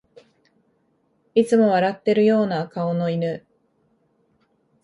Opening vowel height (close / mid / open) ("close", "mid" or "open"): close